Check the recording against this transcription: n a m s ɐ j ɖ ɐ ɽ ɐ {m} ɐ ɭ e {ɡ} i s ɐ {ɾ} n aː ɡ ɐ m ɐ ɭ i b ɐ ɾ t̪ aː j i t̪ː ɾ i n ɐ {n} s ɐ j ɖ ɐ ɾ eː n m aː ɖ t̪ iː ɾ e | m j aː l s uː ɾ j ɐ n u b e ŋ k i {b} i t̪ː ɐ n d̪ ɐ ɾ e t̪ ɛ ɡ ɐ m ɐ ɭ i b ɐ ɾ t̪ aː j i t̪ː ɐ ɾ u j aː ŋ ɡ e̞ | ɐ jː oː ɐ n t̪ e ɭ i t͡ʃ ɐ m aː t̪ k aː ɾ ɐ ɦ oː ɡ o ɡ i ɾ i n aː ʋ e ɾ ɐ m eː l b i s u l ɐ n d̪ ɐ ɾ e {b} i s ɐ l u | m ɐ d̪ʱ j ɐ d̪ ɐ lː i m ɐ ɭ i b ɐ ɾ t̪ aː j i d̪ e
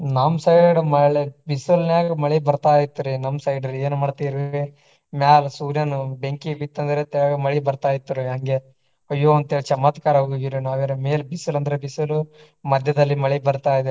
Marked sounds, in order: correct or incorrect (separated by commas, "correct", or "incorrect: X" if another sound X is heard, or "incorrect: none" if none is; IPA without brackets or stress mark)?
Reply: correct, incorrect: b, incorrect: l, incorrect: m, correct, correct